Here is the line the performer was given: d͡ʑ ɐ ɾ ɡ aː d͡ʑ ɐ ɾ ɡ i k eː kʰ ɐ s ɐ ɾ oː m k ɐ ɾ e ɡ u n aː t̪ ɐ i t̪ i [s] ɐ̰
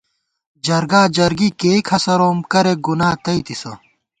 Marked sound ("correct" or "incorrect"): correct